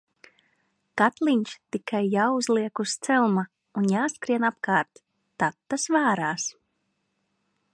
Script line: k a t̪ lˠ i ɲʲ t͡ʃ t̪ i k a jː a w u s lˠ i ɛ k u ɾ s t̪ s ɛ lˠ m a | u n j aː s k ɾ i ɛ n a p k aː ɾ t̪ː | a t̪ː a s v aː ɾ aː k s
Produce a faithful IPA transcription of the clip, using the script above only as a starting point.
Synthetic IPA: k a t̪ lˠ i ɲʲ t͡ʃ t̪ i k a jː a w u z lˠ i ɛ k u s t̪ s ɛ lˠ m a | u n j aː s k ɾ i ɛ n a p k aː ɾ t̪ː | a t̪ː a s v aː ɾ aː s